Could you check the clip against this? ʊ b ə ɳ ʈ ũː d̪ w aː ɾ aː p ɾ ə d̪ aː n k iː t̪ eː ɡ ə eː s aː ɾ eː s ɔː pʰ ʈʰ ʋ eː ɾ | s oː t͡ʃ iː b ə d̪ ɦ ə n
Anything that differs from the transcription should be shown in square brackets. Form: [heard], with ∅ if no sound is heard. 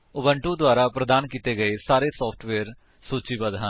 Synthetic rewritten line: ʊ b ə ɳ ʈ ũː d̪ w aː ɾ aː p ɾ ə d̪ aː n k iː t̪ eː ɡ ə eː s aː ɾ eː s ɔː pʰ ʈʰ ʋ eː ɾ | s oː t͡ʃ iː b ə d̪ ɦ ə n